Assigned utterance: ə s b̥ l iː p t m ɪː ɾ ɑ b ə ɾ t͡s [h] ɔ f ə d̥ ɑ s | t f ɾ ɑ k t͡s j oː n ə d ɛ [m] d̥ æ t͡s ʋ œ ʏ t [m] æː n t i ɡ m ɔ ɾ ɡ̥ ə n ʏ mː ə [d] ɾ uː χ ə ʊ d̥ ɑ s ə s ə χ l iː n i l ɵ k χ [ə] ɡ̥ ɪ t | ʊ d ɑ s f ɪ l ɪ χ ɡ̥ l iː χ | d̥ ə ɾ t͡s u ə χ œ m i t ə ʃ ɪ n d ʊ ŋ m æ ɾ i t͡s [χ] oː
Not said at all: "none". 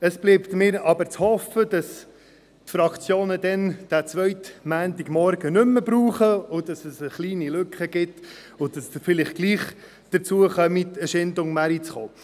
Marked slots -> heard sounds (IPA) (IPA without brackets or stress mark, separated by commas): h, n, m, b, ə, χ